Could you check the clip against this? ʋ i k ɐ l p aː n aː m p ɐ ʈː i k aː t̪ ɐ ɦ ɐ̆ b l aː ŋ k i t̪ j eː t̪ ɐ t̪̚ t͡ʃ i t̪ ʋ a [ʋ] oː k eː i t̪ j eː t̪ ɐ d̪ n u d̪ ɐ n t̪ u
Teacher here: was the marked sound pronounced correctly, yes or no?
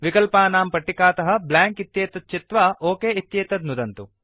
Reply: no